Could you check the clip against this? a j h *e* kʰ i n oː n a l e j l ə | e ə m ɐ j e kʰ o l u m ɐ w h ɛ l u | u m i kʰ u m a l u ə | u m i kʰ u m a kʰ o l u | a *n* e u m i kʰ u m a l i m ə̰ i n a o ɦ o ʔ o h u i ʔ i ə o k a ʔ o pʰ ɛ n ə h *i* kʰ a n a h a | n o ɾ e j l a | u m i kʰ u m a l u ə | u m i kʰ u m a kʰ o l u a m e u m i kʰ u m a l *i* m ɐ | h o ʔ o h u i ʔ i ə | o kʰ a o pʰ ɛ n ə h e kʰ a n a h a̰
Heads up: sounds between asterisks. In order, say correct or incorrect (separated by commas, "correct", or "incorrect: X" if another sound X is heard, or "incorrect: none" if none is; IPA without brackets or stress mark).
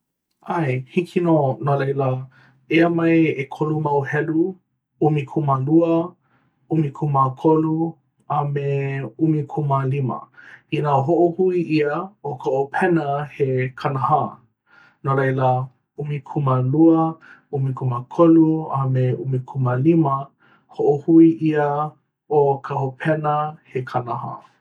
incorrect: i, incorrect: m, incorrect: e, correct